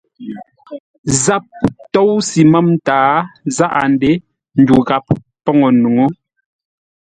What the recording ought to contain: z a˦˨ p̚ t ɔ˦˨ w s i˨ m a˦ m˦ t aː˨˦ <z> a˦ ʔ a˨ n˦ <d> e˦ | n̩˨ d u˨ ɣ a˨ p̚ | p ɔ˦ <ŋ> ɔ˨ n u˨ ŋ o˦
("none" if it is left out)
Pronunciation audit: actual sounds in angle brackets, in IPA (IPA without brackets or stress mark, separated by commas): z, d, ŋ